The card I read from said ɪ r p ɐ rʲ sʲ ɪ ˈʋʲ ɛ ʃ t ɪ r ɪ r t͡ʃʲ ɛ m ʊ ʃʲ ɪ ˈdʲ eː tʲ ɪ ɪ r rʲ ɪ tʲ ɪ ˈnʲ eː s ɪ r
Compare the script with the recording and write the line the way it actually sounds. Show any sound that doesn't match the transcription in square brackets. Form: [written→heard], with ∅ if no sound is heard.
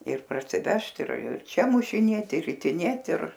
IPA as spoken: ɪ r p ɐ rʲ sʲ ɪ ˈʋʲ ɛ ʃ t ɪ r ɪ r t͡ʃʲ ɛ m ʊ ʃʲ ɪ [ˈdʲ→ˈnʲ] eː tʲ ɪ ɪ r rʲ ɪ tʲ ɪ ˈnʲ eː [s→t] ɪ r